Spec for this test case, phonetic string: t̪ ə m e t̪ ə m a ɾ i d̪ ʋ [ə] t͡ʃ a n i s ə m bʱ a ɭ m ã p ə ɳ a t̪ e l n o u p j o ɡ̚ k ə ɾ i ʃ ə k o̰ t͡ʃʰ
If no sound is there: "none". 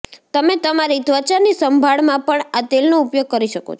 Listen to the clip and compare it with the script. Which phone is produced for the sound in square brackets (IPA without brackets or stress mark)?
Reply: ə